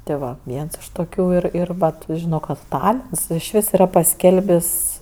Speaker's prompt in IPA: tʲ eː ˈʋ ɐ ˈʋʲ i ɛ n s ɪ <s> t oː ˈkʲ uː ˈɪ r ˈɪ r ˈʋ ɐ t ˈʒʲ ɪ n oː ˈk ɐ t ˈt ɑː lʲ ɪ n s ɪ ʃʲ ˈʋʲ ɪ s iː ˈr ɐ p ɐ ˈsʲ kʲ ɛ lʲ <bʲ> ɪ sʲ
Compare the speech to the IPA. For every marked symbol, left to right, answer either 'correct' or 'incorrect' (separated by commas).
incorrect, correct